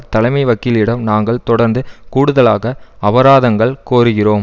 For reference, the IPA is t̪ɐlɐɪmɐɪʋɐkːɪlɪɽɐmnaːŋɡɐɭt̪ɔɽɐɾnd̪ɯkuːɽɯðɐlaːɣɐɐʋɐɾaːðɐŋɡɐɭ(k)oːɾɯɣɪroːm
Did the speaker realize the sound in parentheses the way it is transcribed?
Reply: yes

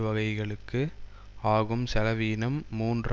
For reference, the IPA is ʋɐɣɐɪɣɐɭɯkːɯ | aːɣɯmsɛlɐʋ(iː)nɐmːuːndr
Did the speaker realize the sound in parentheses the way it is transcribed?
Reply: yes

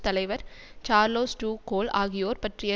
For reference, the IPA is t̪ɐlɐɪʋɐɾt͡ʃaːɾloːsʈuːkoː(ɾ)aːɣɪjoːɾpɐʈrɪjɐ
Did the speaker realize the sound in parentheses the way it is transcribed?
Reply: no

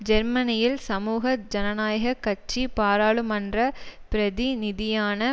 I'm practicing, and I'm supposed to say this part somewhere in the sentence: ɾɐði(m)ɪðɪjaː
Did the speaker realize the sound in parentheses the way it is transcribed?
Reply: no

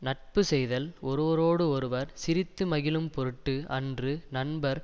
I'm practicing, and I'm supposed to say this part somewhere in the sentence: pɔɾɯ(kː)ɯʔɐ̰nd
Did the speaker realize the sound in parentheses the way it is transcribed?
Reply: no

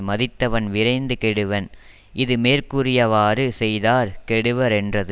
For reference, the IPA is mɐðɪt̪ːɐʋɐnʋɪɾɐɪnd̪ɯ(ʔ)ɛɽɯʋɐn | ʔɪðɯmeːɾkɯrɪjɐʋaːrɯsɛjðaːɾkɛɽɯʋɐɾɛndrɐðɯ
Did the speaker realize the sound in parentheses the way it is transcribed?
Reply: no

